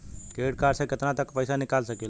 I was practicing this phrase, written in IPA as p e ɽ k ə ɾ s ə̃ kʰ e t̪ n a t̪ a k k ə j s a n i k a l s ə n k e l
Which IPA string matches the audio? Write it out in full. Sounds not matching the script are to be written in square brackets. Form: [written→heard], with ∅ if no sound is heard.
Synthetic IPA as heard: [p→k] e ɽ k [ə→a] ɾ s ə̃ [kʰ→k] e t̪ n a t̪ [a→ə] k [k→p] ə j s a n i k a l s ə [n→∅] k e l